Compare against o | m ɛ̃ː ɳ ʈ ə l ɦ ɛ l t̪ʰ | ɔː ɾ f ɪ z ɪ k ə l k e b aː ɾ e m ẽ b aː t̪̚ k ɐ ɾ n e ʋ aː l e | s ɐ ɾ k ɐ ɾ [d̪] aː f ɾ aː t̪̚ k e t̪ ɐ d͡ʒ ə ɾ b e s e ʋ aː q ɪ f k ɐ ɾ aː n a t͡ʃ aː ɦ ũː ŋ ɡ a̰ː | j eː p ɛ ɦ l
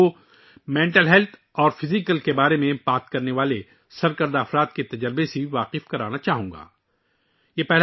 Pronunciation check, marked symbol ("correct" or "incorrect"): correct